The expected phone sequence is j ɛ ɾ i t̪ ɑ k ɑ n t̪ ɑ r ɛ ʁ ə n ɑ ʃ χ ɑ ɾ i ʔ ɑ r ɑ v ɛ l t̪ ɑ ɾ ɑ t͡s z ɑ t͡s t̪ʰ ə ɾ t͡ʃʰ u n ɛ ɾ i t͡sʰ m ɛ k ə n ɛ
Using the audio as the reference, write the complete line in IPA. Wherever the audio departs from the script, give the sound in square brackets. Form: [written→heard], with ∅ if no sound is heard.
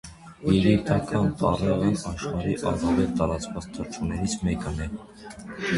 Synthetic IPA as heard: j ɛ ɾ i t̪ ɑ k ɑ n t̪ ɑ r ɛ ʁ ə n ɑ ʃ χ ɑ ɾ i ʔ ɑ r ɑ v ɛ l t̪ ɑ ɾ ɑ t͡s [z→v] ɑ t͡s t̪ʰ ə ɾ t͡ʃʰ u n ɛ ɾ i t͡sʰ m ɛ k ə n ɛ